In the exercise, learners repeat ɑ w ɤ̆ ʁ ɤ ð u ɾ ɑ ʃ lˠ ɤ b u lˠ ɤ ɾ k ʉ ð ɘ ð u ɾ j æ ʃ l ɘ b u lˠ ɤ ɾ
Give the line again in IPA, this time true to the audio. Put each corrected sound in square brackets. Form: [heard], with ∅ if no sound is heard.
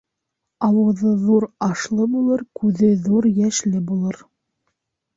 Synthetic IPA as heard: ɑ w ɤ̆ [ð] ɤ ð u ɾ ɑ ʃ lˠ ɤ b u lˠ ɤ ɾ k ʉ ð ɘ ð u ɾ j æ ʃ l ɘ b u lˠ ɤ ɾ